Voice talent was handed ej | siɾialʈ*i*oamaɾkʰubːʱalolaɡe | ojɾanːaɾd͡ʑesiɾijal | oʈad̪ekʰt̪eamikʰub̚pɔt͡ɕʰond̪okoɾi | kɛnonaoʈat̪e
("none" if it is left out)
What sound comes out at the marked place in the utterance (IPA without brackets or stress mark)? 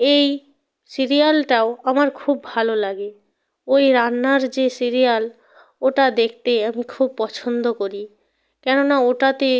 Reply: a